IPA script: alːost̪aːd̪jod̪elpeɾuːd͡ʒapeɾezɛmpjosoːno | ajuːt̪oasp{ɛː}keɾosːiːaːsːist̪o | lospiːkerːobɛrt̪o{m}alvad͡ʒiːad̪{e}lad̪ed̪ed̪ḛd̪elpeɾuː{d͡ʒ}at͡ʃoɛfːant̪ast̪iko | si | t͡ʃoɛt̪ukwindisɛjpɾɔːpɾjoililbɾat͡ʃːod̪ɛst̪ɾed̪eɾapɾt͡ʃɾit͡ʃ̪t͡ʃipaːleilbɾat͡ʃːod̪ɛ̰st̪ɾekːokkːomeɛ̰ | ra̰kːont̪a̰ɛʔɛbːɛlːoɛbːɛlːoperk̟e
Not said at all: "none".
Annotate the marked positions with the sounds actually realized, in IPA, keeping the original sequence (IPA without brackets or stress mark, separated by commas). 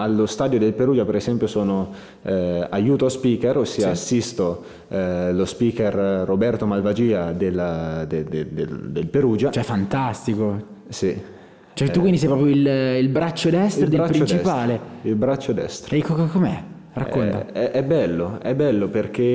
iː, m, e, d͡ʒ